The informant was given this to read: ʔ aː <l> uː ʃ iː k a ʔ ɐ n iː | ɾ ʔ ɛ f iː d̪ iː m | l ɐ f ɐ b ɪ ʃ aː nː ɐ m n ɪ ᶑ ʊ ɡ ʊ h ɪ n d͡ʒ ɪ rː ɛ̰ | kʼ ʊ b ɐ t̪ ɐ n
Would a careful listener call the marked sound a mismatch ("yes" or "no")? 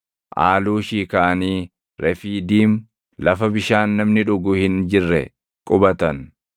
no